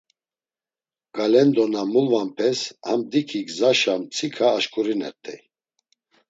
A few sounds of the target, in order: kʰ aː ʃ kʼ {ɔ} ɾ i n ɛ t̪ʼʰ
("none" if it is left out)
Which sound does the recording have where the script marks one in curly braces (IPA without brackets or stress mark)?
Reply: u